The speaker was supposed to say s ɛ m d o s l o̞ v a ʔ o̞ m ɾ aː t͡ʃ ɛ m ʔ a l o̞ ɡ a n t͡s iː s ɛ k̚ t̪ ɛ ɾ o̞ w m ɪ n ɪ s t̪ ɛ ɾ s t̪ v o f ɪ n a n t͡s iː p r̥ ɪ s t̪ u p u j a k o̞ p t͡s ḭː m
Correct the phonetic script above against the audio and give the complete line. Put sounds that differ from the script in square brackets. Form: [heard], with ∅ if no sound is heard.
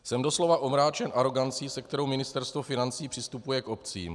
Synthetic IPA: s ɛ m d o s l o̞ v a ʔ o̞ m ɾ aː t͡ʃ ɛ [n] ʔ a [ɾ] o̞ ɡ a n t͡s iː s ɛ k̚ t̪ ɛ ɾ o̞ w m ɪ n ɪ s t̪ ɛ ɾ s t̪ v o f ɪ n a n t͡s iː p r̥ ɪ s t̪ u p u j [ɛ] k o̞ p t͡s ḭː m